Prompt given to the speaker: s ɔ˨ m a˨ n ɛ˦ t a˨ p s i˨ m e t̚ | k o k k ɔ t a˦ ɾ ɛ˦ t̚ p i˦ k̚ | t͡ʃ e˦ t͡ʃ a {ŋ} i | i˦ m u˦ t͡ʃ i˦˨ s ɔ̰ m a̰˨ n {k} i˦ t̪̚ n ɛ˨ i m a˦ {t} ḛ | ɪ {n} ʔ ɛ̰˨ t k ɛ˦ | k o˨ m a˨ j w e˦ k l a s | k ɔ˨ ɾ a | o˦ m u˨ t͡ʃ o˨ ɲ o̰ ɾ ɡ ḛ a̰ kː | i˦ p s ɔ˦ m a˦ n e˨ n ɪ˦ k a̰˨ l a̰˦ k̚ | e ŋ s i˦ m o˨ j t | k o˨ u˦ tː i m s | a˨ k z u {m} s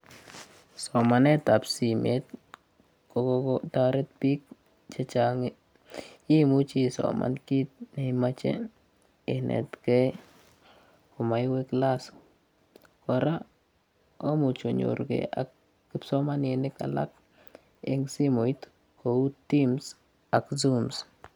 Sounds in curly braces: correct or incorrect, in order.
correct, correct, incorrect: t͡ʃ, correct, correct

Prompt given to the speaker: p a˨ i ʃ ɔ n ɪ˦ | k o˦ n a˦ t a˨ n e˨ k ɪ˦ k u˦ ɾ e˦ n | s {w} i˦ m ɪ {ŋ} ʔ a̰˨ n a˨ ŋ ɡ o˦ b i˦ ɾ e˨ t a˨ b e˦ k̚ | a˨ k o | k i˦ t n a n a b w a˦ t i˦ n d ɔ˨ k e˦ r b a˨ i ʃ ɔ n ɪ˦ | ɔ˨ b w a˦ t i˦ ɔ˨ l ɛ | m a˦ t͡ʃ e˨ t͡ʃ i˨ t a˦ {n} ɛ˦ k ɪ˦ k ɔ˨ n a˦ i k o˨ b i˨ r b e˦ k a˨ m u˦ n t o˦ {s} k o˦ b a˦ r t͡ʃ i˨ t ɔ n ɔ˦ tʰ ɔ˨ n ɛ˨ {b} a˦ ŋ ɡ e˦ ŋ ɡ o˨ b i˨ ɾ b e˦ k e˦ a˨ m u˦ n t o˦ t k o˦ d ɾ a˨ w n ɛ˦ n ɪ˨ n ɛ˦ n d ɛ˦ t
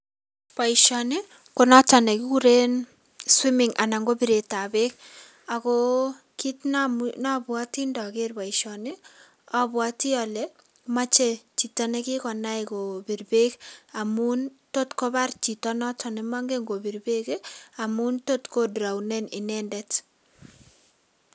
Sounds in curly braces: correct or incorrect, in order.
correct, correct, correct, incorrect: t, incorrect: m

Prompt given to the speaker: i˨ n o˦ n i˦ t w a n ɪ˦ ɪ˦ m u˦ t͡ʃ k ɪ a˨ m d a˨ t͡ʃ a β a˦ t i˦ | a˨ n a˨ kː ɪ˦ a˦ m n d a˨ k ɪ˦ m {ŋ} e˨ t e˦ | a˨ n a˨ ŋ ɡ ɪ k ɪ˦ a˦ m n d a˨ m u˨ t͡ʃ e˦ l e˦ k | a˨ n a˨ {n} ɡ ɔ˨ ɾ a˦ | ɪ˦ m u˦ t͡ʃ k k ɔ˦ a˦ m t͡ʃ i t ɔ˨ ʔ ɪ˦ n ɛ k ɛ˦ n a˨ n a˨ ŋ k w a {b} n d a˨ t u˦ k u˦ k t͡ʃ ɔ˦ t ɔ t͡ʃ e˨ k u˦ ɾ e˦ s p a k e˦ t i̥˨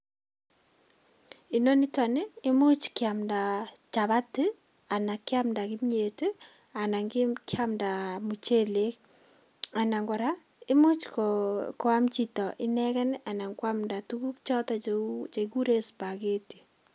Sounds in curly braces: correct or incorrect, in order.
incorrect: ɲ, incorrect: ŋ, incorrect: m

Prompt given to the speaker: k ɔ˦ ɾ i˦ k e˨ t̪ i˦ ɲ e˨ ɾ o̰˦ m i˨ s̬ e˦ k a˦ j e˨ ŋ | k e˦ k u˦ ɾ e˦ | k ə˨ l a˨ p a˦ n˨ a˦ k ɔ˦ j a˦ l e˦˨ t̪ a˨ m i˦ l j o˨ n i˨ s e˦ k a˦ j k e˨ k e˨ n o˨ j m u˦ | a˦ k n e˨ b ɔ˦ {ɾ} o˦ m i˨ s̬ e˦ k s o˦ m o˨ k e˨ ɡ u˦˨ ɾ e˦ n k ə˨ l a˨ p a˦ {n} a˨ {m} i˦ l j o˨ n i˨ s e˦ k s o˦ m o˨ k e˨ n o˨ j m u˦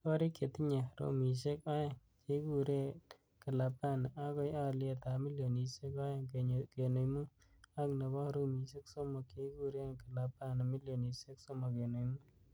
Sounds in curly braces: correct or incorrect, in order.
correct, correct, correct

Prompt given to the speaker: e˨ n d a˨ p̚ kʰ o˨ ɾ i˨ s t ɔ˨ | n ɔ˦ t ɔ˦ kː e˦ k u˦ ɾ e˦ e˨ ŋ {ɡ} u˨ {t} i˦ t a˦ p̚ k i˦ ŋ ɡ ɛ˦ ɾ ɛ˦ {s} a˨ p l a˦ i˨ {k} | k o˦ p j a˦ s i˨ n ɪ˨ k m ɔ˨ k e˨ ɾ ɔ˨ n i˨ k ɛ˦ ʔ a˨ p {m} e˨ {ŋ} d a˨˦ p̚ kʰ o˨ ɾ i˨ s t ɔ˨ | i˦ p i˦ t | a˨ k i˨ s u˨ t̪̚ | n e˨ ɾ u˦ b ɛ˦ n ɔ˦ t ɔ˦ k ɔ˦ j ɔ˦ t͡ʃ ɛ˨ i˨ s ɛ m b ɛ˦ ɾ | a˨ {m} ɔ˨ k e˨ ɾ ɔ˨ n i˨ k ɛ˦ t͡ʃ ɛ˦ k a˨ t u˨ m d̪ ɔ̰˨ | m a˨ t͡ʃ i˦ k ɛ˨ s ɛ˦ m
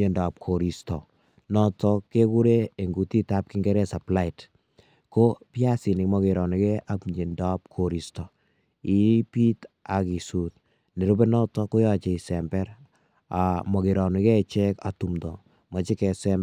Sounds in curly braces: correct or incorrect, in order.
correct, correct, correct, incorrect: t, incorrect: ɲ, incorrect: n, correct

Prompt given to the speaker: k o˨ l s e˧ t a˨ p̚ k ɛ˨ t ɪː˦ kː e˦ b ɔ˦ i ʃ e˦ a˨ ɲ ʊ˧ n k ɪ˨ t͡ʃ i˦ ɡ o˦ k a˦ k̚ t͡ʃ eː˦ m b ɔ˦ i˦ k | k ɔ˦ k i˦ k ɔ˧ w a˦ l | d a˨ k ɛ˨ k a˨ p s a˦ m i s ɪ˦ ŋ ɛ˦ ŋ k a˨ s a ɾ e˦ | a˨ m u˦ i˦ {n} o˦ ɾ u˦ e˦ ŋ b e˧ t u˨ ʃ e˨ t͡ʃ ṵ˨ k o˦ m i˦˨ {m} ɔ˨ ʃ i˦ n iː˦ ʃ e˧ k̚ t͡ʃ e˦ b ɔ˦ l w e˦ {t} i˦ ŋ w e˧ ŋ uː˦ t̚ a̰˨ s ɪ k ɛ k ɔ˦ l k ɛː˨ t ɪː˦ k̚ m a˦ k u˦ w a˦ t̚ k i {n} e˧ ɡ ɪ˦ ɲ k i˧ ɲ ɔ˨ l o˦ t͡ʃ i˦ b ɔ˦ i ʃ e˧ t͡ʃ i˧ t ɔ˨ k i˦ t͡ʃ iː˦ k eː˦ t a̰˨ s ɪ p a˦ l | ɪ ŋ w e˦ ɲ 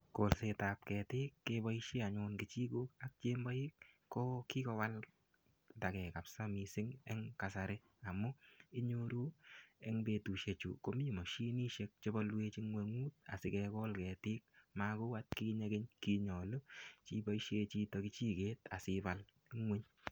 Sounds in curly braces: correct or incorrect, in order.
incorrect: ɲ, correct, incorrect: t͡ʃ, incorrect: ɲ

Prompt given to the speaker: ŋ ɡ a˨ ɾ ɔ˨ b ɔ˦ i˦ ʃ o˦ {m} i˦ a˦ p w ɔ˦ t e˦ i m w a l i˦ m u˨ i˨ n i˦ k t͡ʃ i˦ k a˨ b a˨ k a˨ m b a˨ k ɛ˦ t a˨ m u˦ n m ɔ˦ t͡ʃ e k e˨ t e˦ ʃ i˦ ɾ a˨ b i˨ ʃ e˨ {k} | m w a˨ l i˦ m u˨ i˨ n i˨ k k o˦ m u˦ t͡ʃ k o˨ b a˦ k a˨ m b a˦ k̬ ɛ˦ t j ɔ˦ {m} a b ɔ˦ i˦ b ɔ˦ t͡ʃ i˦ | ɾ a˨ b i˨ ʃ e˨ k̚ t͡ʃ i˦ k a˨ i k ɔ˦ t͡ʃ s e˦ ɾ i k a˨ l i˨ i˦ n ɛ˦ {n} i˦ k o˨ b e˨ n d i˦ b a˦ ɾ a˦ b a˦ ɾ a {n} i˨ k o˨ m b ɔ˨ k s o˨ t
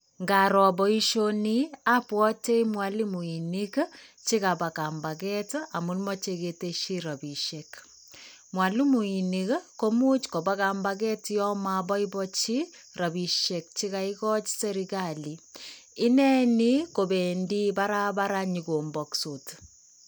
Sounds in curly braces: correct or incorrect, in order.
incorrect: n, correct, correct, correct, incorrect: ɲ

